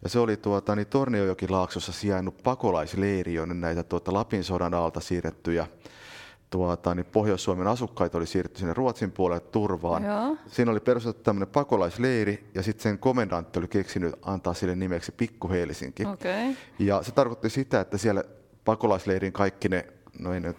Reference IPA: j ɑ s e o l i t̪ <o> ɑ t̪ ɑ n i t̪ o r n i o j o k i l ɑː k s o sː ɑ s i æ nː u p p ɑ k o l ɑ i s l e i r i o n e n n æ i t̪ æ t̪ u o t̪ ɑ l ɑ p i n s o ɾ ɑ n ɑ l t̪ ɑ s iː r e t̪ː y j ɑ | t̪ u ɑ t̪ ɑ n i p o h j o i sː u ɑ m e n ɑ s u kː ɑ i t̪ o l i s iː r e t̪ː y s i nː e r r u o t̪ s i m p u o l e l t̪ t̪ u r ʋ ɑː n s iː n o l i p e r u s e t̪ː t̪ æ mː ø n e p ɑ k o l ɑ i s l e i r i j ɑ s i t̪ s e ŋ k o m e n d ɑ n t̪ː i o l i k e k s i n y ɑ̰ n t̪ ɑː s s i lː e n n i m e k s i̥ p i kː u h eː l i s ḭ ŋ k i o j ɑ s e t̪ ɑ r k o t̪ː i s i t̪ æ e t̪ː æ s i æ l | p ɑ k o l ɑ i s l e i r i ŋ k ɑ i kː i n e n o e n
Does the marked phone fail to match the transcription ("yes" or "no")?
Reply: yes